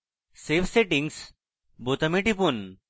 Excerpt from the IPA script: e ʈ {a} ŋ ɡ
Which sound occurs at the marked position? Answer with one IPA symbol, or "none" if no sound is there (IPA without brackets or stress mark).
i